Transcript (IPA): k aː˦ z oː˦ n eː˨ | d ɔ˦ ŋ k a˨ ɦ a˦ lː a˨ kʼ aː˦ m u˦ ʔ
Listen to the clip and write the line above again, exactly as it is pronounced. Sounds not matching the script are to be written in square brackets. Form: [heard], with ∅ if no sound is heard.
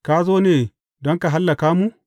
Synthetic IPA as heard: k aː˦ z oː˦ n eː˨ | d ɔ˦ ŋ k a˨ ɦ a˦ lː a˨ [k] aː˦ m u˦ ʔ